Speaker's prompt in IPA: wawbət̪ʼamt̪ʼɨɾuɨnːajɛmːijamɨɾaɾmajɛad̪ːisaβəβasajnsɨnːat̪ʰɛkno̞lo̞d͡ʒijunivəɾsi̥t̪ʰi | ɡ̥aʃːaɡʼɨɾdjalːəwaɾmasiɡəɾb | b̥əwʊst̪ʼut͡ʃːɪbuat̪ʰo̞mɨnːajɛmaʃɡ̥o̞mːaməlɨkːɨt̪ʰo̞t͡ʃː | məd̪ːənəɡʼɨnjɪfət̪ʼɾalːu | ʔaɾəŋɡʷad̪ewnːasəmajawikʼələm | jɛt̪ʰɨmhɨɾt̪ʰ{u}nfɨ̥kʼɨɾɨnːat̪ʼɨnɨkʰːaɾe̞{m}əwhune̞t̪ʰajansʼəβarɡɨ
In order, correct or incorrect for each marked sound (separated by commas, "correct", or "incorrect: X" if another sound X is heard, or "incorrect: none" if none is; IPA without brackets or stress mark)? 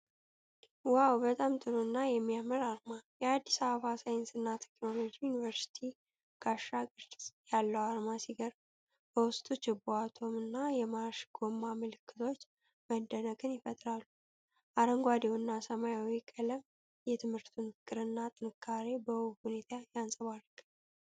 correct, incorrect: b